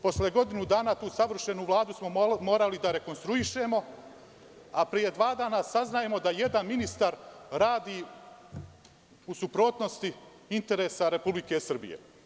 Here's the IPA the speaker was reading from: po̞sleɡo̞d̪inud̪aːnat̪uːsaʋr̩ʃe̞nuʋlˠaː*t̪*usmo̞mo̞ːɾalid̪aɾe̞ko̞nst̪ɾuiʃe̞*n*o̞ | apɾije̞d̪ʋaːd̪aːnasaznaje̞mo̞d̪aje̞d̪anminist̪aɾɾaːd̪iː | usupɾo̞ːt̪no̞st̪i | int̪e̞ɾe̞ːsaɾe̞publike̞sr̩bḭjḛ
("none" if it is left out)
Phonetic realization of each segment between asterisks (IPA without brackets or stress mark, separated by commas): d̪, m